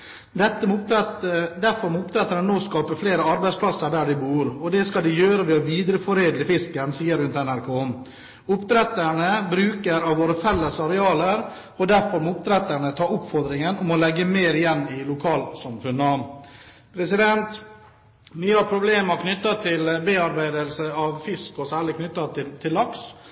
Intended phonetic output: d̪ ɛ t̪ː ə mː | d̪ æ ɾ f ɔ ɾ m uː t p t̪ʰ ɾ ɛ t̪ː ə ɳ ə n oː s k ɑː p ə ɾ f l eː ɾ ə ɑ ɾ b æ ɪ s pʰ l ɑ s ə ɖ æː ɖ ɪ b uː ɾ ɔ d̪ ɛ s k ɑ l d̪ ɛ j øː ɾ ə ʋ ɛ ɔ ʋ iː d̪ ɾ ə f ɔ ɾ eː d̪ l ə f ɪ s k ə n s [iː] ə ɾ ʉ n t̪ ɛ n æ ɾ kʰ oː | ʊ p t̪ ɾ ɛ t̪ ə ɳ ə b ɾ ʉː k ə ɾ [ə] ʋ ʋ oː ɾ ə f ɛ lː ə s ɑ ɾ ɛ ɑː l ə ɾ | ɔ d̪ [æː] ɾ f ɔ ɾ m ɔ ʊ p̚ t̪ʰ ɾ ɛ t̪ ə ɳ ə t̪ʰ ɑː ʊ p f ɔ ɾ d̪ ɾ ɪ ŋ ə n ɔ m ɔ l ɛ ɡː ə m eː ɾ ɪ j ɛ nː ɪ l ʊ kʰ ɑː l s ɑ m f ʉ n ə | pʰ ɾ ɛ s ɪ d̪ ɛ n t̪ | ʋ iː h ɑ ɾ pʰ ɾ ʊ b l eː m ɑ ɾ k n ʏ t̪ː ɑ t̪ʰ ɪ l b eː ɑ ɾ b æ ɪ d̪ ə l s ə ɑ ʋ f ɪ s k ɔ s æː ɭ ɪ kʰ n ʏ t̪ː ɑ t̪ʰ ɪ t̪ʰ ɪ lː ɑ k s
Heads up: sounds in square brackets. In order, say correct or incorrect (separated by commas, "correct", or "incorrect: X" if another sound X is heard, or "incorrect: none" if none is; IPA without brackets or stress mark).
correct, incorrect: ɑ, incorrect: æ